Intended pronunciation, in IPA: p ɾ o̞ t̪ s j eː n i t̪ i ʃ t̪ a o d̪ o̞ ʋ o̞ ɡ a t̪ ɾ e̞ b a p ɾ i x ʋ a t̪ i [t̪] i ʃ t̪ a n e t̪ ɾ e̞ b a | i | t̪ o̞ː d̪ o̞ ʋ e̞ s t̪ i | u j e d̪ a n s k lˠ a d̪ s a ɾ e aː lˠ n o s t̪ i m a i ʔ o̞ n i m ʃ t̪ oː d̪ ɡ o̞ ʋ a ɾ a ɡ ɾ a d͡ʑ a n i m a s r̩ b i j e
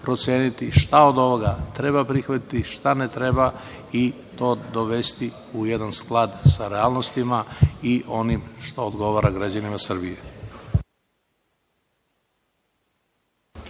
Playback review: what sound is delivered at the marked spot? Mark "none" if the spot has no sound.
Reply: t̪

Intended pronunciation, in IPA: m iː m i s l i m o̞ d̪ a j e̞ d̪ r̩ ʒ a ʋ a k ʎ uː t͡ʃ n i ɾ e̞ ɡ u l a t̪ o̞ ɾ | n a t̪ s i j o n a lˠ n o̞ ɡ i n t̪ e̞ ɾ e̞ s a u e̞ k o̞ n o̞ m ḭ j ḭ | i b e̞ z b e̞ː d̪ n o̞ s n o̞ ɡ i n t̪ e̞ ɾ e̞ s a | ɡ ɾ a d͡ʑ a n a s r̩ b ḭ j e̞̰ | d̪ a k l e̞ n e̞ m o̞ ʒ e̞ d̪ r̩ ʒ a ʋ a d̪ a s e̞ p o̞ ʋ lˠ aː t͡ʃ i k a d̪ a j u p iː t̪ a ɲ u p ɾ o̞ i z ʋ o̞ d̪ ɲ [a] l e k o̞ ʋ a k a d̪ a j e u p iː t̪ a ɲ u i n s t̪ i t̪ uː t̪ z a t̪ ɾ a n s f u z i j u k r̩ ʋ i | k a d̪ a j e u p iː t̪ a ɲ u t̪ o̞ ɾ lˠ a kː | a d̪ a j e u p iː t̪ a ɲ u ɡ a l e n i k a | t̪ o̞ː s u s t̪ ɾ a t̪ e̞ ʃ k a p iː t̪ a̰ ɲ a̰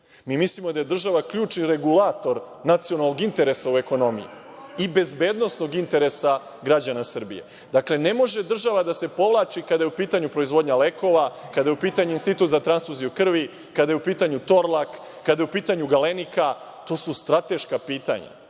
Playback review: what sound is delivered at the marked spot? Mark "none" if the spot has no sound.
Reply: a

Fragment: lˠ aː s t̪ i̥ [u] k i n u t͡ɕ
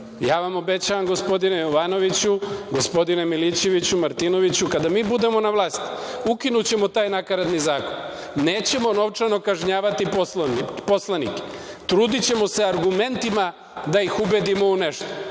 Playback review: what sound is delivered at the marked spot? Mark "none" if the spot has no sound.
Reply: u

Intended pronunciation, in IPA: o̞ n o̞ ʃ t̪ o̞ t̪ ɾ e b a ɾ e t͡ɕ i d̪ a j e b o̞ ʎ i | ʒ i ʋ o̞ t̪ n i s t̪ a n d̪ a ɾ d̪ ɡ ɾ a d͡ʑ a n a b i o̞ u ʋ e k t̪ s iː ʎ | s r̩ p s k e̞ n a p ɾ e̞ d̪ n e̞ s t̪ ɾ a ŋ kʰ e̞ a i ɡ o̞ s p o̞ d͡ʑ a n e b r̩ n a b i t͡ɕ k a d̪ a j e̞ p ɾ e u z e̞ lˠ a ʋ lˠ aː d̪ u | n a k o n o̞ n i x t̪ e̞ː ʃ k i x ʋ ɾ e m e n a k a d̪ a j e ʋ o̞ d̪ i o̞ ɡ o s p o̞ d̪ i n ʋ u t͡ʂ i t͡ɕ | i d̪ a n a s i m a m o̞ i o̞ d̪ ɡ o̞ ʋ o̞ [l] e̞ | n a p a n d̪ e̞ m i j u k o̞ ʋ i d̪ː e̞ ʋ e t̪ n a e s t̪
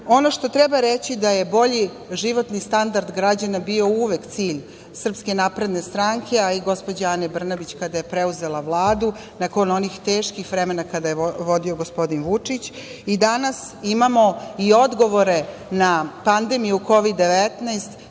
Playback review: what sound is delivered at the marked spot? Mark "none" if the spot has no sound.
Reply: ɾ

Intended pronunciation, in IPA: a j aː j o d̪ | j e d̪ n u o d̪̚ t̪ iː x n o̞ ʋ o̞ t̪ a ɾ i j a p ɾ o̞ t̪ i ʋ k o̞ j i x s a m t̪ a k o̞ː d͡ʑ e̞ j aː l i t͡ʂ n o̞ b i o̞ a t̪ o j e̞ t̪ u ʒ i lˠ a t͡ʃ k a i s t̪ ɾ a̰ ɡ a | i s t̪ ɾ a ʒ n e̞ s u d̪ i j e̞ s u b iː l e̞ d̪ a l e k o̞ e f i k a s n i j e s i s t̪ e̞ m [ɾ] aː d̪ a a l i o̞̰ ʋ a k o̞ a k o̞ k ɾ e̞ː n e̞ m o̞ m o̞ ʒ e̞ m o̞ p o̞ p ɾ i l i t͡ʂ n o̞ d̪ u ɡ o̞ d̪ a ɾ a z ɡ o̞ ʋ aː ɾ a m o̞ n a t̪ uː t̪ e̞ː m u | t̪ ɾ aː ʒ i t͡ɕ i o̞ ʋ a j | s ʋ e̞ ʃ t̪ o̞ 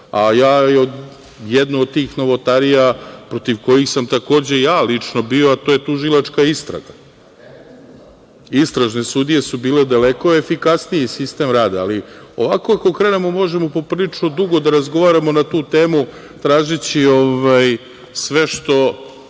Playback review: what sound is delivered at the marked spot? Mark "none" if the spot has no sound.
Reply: ɾ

